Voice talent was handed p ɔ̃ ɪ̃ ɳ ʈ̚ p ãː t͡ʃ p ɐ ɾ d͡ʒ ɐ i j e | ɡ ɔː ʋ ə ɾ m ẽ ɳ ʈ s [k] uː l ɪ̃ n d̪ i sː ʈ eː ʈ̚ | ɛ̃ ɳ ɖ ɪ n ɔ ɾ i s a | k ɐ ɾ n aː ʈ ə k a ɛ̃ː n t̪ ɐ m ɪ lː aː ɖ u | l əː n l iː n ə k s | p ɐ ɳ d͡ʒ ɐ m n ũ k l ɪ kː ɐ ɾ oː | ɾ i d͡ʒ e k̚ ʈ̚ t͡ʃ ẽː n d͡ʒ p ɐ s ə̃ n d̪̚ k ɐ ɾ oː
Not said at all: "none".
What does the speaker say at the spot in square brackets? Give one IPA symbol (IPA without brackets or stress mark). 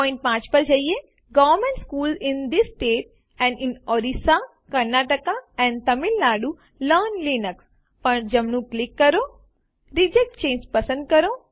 k